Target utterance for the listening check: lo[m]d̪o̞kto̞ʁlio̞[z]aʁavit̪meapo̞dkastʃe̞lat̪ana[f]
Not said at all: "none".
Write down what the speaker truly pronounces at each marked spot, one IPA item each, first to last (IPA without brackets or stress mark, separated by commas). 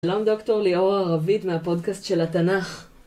m, ʁ, χ